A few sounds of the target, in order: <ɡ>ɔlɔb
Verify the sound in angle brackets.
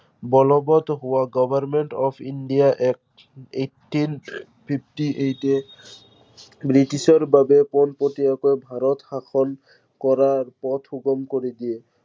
incorrect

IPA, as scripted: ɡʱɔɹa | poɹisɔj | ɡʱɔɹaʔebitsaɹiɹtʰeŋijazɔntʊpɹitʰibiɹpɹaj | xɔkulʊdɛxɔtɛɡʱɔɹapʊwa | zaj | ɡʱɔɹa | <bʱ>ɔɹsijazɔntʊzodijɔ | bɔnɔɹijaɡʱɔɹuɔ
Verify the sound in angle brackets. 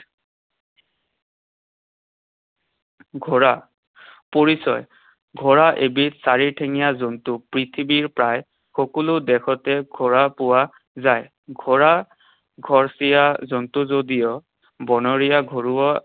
incorrect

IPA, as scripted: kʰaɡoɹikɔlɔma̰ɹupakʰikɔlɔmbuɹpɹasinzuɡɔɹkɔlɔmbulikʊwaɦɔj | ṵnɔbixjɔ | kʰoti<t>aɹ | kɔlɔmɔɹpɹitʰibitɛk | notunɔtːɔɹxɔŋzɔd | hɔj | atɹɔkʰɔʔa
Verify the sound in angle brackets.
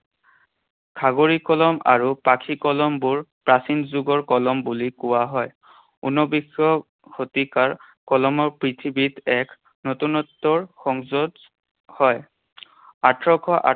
incorrect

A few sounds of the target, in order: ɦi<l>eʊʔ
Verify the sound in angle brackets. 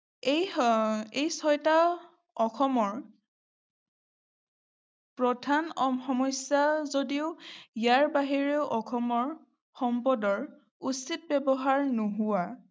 incorrect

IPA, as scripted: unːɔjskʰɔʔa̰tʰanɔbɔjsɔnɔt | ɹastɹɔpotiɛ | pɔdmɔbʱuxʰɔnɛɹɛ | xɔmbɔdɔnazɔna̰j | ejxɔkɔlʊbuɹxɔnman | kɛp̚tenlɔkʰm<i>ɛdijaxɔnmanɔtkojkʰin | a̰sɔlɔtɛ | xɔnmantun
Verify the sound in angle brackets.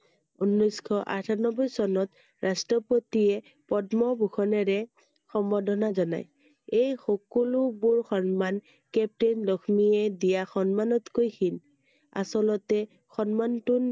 correct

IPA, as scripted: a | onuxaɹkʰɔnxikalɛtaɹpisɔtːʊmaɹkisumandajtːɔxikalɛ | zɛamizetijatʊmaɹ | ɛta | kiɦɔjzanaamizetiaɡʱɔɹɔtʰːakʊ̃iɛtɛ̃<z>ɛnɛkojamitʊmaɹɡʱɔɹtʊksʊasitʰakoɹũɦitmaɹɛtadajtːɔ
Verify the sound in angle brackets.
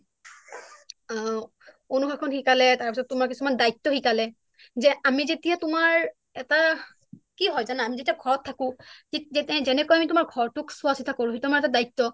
correct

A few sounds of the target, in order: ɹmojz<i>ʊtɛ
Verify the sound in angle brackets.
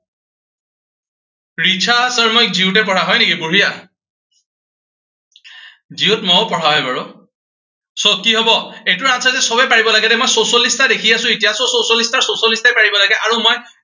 correct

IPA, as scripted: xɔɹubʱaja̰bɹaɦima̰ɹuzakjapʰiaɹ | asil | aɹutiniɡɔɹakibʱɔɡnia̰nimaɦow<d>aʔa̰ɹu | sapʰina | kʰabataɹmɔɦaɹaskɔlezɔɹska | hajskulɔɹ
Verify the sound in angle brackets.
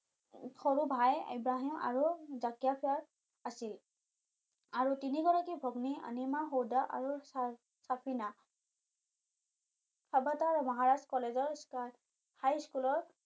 correct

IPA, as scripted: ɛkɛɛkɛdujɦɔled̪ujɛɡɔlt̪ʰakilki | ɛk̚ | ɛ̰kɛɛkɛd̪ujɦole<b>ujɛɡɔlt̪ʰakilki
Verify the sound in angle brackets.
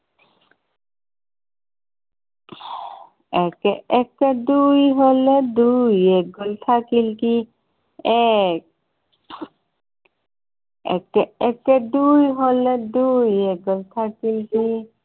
incorrect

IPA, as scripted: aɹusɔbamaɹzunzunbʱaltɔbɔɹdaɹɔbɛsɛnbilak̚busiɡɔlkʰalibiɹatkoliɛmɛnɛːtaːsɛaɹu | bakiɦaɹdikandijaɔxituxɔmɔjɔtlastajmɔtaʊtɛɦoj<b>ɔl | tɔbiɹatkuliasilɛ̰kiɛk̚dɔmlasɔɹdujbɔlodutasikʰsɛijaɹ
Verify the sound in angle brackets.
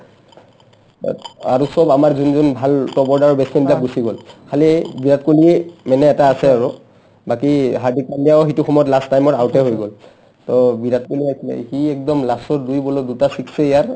incorrect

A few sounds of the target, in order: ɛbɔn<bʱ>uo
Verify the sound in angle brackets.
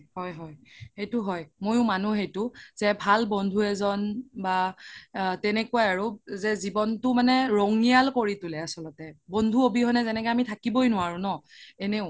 incorrect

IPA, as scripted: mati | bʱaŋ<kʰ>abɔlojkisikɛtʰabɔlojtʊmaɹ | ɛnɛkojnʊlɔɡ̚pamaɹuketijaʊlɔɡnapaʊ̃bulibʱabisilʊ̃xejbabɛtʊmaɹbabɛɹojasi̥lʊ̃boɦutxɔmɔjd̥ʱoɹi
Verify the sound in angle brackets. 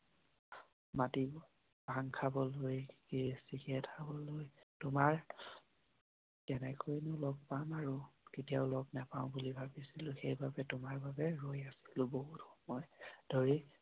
correct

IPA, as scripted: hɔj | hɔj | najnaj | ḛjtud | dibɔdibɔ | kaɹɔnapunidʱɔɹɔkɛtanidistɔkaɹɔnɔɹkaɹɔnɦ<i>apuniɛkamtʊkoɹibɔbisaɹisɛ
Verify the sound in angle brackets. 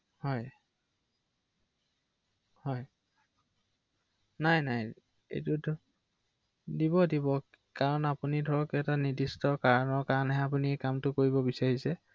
incorrect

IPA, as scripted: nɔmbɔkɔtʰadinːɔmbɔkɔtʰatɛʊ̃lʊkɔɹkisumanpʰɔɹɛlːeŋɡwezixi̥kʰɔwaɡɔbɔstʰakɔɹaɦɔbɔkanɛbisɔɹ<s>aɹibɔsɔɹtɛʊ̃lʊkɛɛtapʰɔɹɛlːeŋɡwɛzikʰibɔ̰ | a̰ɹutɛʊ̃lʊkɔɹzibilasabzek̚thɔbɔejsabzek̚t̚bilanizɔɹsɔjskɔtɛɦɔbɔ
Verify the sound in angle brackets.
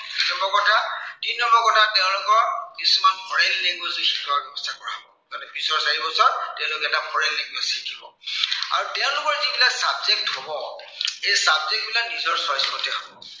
correct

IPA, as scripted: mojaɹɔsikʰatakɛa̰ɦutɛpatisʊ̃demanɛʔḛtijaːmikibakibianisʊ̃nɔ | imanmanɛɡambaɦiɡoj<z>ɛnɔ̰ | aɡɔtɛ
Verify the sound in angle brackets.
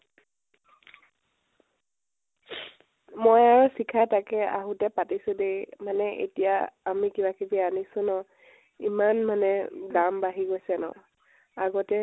incorrect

